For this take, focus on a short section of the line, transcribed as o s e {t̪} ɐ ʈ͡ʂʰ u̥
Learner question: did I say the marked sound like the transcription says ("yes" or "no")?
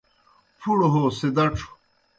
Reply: no